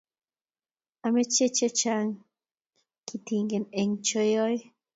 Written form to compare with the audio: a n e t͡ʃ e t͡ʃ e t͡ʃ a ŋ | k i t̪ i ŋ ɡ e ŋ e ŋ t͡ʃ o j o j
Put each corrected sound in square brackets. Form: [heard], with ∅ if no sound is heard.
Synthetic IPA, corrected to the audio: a [m] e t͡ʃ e t͡ʃ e t͡ʃ a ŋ | k i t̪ i ŋ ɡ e [n] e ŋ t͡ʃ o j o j